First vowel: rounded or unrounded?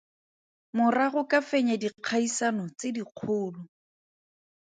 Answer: rounded